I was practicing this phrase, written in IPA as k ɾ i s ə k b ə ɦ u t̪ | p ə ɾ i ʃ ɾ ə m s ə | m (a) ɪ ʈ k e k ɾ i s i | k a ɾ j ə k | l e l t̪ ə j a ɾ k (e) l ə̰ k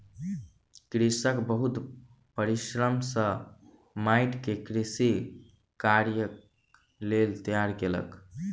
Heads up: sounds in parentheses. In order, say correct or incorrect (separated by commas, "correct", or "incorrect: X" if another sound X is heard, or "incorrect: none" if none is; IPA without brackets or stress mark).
correct, correct